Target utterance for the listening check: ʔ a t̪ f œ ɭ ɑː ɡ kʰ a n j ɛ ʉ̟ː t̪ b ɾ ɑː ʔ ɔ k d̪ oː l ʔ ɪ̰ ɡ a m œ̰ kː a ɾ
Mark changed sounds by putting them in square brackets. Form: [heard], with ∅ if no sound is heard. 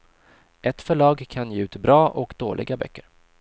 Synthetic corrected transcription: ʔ [ɛ] t̪ f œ ɭ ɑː ɡ kʰ a n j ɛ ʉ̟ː t̪ b ɾ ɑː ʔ ɔ k d̪ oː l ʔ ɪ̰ ɡ a [b] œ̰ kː [ə] ɾ